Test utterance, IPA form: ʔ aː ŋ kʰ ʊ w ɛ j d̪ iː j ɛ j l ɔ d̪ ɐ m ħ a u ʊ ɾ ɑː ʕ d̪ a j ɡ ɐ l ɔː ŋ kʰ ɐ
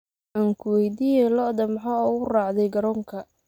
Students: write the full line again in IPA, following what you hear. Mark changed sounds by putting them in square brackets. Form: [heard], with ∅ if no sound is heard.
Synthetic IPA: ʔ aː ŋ kʰ ʊ w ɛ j d̪ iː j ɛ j l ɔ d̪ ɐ m ħ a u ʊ [r] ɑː ʕ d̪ [ɛ] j ɡ ɐ [ɾ] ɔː ŋ kʰ ɐ